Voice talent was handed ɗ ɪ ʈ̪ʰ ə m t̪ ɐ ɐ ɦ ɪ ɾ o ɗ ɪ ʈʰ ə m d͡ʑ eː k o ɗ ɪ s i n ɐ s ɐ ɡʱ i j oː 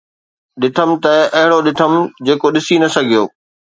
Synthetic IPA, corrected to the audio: ɗ ɪ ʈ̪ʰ ə m t̪ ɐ ɐ ɦ ɪ ɽ o ɗ ɪ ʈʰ ə m d͡ʑ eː k o ɗ ɪ s i n ɐ s ɐ ɡʱ i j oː